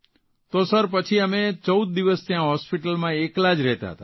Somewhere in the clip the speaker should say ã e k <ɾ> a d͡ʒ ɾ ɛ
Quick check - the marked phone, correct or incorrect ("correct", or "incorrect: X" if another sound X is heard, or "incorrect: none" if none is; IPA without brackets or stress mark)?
incorrect: l